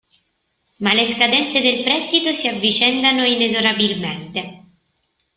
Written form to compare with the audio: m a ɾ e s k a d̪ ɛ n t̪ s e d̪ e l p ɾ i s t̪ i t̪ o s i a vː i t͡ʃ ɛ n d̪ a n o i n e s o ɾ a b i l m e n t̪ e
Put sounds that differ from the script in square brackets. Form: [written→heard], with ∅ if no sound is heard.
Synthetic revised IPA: m a [ɾ→l] e s k a d̪ ɛ n t̪ s e d̪ e l p ɾ [i→ɛ] s t̪ i t̪ o s i a vː i t͡ʃ ɛ n d̪ a n o i n e [s→z] o ɾ a b i l m e n t̪ e